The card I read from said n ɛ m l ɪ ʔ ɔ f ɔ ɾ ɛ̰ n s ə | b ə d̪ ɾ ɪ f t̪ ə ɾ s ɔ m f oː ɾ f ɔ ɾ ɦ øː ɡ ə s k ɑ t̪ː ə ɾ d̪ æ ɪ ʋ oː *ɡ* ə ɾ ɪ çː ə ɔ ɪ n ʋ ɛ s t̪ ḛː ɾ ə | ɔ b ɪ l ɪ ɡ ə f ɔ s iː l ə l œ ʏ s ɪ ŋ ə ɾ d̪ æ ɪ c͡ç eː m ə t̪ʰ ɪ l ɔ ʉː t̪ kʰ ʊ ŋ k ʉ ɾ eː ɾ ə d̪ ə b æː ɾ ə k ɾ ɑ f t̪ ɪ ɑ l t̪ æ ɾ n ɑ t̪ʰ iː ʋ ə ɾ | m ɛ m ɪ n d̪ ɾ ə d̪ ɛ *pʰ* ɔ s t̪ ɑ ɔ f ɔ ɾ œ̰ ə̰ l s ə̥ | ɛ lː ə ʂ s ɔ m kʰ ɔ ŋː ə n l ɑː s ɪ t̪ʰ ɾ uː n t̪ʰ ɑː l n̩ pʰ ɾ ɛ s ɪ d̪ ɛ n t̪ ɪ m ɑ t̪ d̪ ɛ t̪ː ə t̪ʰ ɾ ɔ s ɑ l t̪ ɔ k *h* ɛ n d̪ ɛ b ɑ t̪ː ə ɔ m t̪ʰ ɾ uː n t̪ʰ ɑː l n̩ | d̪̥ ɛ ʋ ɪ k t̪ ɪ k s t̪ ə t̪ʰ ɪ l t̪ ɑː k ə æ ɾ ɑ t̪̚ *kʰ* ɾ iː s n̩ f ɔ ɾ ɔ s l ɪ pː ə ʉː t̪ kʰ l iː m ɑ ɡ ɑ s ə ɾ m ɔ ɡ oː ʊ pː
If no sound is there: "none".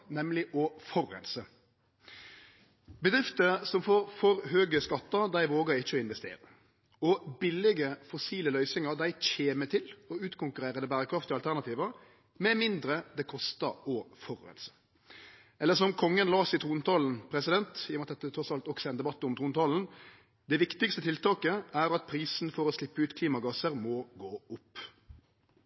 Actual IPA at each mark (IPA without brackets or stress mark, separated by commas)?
ɡ, kʰ, s, pʰ